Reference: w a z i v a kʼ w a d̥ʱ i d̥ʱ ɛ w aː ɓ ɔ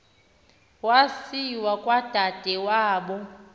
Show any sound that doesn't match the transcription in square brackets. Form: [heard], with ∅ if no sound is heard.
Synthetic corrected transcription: w a [s] i [w] a kʼ w a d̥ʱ [a] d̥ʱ ɛ w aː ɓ ɔ